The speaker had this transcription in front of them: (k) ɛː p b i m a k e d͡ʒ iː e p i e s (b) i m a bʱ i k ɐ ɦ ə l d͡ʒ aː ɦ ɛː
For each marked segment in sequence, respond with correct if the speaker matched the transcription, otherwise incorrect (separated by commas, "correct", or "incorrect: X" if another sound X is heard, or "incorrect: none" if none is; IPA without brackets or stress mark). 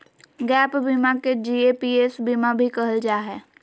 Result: incorrect: ɡ, correct